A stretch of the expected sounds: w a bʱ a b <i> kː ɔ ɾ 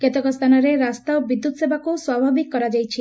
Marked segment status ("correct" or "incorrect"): correct